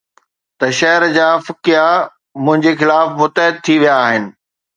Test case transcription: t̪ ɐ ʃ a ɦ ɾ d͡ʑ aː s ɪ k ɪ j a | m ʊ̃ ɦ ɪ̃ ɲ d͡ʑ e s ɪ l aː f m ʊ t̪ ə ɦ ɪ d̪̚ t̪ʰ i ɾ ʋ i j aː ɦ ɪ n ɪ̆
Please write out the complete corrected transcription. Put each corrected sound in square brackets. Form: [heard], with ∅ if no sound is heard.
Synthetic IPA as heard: t̪ ɐ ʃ [ɐ] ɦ ɾ d͡ʑ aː [f] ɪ k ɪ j a | m ʊ̃ ɦ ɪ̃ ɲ d͡ʑ e [x] ɪ l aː f m ʊ t̪ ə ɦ ɪ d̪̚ t̪ʰ i [∅] ʋ i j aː ɦ ɪ n ɪ̆